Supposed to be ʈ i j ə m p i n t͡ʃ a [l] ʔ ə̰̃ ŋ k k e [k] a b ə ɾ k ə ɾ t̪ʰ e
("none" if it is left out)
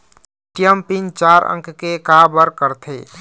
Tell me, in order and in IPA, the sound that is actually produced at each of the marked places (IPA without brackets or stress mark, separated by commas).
ɾ, k